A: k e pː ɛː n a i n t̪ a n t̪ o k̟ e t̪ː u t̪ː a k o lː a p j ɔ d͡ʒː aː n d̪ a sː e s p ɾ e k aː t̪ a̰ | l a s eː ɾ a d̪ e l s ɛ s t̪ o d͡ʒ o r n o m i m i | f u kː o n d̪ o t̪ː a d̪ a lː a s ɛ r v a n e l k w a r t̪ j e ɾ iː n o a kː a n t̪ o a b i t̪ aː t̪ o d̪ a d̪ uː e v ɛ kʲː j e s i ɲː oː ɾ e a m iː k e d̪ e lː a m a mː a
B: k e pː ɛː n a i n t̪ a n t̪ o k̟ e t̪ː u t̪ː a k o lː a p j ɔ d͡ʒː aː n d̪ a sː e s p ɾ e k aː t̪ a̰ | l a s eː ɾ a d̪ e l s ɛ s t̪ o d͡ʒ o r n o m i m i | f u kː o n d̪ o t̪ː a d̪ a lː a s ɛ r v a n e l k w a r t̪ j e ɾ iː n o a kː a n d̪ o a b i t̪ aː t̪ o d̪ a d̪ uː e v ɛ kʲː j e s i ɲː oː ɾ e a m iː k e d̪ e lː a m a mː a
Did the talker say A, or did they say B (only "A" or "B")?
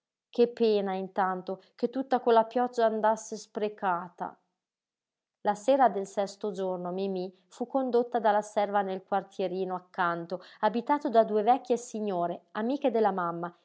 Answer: A